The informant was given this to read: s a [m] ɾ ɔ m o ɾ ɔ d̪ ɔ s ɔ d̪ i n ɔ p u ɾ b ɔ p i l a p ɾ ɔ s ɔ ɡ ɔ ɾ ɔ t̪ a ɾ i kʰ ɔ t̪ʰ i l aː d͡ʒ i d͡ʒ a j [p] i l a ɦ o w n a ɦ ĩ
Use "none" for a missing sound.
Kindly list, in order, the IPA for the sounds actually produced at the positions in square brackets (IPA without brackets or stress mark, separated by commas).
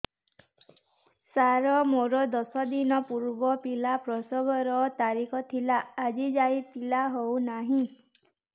none, p